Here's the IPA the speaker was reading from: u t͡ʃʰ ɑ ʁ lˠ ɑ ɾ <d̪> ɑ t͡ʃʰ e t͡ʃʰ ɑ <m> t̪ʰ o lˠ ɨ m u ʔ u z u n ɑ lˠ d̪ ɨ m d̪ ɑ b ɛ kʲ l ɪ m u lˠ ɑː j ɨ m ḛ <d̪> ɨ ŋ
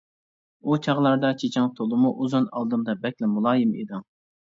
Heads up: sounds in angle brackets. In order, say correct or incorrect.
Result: correct, incorrect, correct

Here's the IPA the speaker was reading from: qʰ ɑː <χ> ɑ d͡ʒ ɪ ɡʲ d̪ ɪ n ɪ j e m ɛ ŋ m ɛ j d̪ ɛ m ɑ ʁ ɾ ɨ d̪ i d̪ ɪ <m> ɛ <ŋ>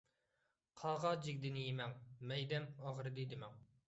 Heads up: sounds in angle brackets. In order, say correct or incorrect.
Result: incorrect, correct, correct

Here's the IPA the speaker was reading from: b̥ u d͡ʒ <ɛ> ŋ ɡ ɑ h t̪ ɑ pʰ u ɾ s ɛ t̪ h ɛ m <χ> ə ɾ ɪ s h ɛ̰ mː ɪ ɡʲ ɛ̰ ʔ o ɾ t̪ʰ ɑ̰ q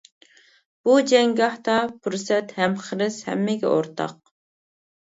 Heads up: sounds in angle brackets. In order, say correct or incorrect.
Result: correct, correct

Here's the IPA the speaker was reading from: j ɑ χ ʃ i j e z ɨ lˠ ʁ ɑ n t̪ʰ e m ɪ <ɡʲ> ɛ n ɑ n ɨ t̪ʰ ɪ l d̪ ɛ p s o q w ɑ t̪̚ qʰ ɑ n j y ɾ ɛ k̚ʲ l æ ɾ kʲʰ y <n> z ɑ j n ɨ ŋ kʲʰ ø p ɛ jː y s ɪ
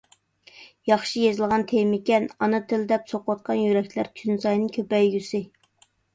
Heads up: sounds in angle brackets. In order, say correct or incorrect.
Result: incorrect, correct

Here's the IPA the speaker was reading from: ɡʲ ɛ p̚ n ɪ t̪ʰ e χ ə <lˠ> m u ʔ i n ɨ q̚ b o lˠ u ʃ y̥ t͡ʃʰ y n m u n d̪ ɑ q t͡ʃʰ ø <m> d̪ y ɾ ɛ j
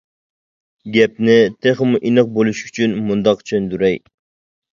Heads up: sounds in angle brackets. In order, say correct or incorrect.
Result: incorrect, incorrect

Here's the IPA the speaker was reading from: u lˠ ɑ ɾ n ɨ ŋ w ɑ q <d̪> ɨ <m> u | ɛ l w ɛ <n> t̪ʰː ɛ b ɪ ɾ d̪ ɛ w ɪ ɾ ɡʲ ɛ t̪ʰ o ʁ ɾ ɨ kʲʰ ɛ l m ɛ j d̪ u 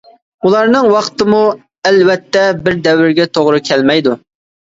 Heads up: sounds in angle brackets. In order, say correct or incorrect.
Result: incorrect, correct, incorrect

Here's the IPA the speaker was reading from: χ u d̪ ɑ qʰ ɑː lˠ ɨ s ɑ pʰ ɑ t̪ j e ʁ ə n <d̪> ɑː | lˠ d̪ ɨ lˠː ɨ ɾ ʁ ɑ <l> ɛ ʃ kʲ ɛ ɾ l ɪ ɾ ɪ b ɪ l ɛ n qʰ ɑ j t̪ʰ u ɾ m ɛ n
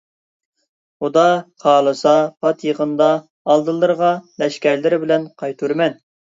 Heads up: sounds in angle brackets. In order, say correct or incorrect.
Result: correct, correct

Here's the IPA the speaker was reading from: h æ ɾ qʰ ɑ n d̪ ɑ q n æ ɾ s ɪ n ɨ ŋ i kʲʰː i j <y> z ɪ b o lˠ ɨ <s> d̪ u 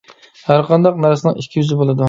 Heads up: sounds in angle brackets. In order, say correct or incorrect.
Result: correct, incorrect

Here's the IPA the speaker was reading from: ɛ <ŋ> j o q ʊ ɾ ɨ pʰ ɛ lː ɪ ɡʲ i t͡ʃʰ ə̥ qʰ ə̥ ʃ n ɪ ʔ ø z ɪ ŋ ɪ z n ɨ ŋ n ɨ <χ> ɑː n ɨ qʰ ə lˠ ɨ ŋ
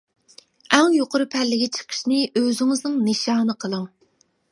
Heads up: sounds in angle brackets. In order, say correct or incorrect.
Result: correct, incorrect

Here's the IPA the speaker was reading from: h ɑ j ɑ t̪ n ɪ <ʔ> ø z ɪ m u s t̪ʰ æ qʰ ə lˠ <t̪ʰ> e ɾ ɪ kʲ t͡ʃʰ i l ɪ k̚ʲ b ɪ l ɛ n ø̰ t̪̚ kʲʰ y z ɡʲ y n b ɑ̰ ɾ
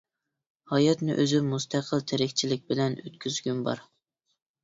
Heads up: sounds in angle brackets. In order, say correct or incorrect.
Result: correct, correct

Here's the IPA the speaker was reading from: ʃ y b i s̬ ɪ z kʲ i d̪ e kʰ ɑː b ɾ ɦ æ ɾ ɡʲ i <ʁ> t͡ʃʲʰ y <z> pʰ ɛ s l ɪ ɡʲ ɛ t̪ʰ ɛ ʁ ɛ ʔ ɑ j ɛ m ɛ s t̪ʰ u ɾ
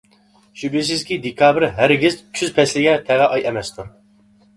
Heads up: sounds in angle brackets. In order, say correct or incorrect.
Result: incorrect, correct

